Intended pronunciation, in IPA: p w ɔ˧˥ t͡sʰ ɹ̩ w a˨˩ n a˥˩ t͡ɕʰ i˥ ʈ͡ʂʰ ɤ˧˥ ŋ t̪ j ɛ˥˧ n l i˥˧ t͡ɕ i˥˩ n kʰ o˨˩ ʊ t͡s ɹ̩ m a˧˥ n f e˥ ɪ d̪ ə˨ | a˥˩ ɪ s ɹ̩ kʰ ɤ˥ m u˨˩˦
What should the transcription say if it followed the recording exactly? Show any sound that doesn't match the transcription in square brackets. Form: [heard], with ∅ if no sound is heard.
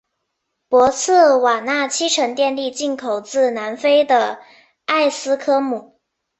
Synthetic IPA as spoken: p w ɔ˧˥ t͡sʰ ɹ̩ w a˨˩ n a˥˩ t͡ɕʰ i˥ ʈ͡ʂʰ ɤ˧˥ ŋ t̪ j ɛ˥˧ n l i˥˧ t͡ɕ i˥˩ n kʰ o˨˩ ʊ t͡s ɹ̩ [n] a˧˥ n f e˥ ɪ d̪ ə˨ | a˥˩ ɪ s ɹ̩ kʰ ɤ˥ m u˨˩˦